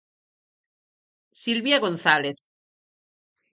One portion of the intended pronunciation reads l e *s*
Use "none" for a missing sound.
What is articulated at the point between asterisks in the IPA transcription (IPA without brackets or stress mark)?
θ